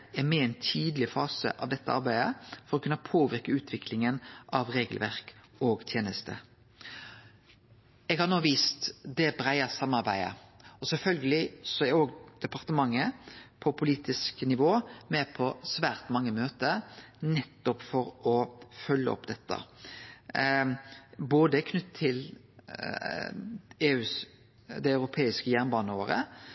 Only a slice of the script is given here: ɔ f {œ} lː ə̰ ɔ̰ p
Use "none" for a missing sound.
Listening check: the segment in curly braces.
œ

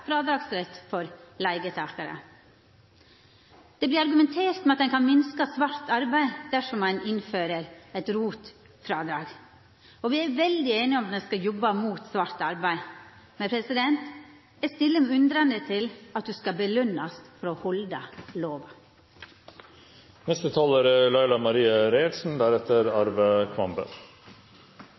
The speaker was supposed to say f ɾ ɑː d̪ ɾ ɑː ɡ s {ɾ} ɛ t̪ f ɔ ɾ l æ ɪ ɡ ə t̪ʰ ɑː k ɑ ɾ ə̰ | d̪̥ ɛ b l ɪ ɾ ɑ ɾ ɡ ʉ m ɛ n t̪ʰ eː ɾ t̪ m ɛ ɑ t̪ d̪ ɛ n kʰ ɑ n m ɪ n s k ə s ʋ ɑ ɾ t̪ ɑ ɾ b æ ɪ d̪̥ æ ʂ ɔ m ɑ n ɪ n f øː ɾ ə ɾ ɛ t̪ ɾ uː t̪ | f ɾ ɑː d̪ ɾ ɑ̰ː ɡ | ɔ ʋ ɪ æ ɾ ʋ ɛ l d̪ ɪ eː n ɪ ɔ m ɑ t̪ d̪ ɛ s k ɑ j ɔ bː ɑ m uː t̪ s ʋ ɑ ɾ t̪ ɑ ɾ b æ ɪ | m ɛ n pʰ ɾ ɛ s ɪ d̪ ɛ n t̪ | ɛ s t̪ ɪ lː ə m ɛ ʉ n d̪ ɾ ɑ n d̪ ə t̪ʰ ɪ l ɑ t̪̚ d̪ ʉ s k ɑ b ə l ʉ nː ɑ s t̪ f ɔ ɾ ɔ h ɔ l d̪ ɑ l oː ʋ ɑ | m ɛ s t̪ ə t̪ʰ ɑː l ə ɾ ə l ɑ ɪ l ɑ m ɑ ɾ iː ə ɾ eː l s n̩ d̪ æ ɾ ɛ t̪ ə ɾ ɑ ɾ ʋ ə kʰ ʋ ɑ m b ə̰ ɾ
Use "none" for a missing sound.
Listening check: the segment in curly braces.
ɾ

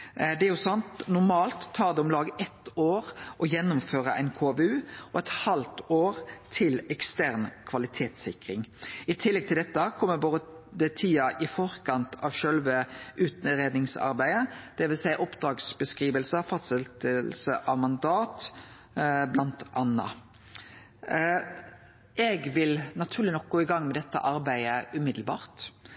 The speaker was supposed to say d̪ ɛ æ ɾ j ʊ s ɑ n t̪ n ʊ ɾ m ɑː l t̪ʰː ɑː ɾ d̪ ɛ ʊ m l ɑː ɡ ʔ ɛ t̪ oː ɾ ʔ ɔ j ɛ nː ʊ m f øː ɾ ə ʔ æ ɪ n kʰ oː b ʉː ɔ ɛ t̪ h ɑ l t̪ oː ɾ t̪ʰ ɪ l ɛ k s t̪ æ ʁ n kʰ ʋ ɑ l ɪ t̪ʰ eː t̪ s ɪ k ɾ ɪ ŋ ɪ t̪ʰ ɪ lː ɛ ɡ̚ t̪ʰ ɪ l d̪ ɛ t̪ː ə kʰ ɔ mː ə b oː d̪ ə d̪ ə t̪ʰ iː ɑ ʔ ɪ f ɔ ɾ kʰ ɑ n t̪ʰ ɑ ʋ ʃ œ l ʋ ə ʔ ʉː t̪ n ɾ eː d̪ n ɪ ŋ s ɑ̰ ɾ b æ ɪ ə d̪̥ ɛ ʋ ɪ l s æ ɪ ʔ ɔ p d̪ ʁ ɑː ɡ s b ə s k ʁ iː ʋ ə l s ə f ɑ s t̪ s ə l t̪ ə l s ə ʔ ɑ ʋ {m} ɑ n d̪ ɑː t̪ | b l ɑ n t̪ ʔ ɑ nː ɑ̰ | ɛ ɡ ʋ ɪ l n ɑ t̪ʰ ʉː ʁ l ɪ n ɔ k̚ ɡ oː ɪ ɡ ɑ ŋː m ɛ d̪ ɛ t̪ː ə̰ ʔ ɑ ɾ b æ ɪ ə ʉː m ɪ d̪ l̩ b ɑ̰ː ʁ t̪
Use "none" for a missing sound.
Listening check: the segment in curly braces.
m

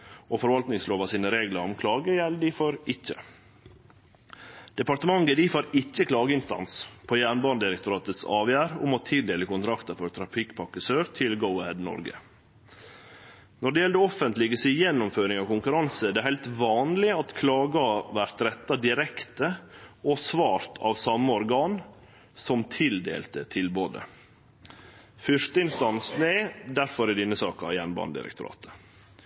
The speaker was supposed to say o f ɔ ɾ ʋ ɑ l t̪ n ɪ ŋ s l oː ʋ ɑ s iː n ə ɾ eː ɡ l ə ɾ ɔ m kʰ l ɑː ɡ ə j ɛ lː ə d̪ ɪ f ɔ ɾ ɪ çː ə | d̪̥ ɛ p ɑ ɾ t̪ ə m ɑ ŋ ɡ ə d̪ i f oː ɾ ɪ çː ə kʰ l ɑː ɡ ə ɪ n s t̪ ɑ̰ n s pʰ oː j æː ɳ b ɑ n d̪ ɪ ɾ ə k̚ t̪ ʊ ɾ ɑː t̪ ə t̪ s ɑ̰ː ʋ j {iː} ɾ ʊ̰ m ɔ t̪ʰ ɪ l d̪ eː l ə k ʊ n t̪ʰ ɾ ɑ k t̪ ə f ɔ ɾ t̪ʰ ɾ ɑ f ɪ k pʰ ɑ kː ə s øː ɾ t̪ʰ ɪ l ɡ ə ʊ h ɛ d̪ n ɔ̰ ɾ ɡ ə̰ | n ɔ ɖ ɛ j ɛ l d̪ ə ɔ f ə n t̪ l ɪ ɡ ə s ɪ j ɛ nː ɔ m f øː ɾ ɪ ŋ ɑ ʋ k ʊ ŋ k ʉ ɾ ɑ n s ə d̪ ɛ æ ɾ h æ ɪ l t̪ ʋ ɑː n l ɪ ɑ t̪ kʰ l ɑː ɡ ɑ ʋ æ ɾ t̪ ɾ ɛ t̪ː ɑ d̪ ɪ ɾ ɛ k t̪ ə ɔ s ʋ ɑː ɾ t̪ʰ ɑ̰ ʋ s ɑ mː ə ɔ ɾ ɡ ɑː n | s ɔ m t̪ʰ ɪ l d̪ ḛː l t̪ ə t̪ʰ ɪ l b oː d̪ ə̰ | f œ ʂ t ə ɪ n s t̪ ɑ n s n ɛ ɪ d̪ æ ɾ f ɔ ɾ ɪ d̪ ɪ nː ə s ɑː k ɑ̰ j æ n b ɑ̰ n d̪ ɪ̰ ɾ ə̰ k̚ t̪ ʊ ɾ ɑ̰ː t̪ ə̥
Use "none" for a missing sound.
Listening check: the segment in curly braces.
æː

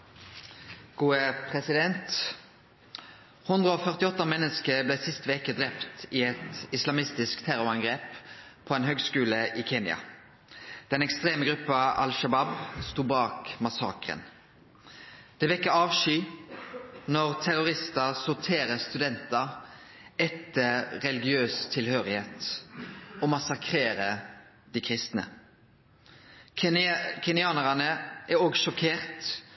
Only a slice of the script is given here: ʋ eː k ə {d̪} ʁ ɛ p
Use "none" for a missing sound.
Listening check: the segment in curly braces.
d̪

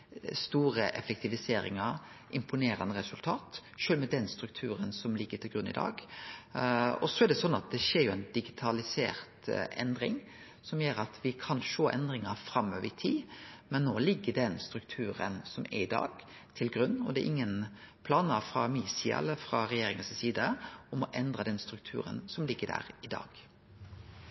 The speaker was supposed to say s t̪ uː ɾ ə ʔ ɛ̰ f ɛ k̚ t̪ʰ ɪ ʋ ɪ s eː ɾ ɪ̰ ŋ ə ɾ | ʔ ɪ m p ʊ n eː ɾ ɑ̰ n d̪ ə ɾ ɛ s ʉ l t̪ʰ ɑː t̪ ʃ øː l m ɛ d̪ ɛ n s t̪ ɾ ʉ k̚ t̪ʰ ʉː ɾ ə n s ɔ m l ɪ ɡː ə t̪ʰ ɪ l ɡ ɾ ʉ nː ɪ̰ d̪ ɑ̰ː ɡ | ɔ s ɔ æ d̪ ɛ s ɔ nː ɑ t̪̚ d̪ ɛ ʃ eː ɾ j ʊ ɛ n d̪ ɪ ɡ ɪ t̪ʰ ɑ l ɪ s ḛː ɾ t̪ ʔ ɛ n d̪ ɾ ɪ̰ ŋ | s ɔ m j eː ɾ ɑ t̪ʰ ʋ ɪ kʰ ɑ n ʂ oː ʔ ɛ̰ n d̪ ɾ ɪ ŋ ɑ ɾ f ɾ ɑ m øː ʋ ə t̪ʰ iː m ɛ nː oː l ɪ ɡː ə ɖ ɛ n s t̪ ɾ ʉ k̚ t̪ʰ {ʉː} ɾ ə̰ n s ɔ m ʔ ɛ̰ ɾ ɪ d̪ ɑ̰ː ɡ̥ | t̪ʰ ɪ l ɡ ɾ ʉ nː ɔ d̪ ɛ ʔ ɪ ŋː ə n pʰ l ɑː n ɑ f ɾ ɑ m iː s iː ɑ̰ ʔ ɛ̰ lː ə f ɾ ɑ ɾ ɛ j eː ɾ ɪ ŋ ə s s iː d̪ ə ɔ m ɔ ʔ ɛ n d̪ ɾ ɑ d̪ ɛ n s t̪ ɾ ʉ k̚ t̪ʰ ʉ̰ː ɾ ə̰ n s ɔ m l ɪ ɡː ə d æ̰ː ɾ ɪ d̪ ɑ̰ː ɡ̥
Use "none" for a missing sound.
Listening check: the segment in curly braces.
ʉː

